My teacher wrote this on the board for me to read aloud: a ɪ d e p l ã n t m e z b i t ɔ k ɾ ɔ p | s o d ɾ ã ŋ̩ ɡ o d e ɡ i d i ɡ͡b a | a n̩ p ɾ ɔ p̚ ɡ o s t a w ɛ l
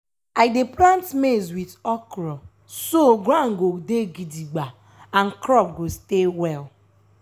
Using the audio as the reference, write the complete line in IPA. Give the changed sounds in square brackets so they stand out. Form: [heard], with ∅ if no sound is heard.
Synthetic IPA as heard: a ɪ d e p l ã n t m e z [w] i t ɔ k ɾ ɔ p | s o [ɡ] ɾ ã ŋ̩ ɡ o d e ɡ i d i ɡ͡b a | a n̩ [k] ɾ ɔ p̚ ɡ o s t [e] w ɛ l